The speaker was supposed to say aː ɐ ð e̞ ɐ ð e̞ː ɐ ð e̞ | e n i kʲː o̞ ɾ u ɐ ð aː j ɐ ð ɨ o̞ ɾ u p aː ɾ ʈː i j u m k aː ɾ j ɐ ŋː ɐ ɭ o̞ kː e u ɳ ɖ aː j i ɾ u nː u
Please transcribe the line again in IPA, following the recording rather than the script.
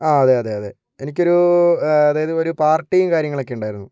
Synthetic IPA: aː ɐ ð e̞ ɐ ð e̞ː ɐ ð e̞ | e n i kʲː o̞ ɾ u ɐ ð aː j ɐ ð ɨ o̞ ɾ u p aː r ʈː i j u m k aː ɾ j ɐ ŋː ɐ ɭ o̞ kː e u ɳ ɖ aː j i ɾ u nː u